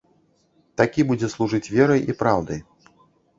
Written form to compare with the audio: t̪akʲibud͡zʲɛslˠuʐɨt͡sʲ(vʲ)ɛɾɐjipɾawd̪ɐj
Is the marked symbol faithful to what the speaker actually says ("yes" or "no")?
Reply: yes